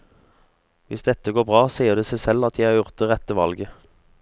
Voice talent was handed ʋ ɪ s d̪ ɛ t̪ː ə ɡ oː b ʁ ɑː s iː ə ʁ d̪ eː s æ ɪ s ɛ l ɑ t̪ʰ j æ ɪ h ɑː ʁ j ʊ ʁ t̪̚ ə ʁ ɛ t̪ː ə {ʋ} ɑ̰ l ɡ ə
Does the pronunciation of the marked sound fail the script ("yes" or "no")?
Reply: no